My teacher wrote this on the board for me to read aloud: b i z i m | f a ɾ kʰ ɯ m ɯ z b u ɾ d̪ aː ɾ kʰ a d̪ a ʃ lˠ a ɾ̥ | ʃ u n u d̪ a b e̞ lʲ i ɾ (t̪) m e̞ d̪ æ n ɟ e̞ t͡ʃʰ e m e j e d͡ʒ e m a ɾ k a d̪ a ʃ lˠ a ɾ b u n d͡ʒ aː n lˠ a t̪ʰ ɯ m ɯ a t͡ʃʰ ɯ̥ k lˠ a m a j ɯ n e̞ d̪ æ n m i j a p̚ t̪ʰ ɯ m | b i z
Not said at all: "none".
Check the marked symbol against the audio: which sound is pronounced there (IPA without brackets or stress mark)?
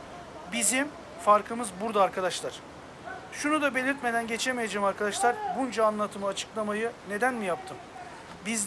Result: t̪